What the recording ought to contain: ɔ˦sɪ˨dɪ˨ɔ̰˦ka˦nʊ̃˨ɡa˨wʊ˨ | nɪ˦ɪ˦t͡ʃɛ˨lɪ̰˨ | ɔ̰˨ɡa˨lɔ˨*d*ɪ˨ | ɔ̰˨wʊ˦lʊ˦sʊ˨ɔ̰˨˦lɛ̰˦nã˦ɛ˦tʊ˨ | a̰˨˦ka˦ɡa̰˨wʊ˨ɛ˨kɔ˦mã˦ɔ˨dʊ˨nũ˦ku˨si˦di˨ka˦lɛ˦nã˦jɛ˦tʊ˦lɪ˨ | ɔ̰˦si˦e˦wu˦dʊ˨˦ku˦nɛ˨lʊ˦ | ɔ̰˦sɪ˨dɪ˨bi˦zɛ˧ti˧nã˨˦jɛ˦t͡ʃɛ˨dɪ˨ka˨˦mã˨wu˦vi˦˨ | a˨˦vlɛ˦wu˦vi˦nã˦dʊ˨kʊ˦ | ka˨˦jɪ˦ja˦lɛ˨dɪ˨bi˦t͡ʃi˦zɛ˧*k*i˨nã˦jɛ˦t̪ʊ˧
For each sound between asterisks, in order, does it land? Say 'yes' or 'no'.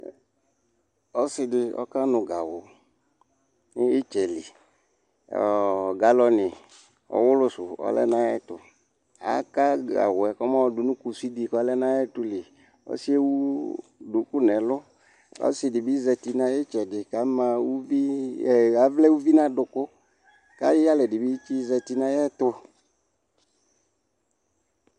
no, no

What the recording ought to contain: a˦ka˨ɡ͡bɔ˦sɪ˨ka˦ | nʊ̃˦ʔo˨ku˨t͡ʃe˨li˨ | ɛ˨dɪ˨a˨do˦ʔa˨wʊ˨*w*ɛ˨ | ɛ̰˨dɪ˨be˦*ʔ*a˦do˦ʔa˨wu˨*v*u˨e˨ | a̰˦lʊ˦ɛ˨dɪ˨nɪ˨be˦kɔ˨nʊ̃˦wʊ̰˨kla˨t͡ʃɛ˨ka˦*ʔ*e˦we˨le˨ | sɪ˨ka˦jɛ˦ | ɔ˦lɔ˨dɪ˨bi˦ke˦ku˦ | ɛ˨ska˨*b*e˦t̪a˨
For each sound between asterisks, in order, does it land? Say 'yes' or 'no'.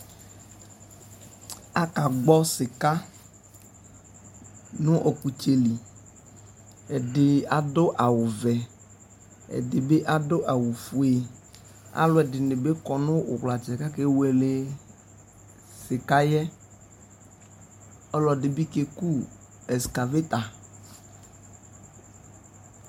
no, yes, no, no, no

